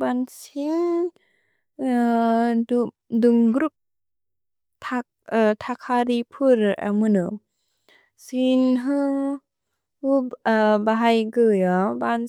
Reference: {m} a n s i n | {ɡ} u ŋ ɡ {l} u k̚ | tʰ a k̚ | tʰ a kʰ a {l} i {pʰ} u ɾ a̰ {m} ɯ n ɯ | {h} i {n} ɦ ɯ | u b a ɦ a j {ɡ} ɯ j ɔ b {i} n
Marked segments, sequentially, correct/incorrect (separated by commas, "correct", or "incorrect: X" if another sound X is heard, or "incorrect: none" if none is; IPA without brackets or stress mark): incorrect: b, incorrect: d, incorrect: ɾ, incorrect: ɾ, correct, correct, incorrect: s, correct, correct, incorrect: a